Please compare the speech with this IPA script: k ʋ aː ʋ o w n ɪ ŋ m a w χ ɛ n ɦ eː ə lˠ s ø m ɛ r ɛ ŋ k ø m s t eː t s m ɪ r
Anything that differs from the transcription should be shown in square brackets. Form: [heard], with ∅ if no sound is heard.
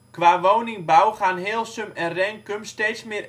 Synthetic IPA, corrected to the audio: k ʋ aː ʋ o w n ɪ ŋ [b] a w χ [a] n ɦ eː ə lˠ s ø m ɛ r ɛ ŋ k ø m s t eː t s m ɪ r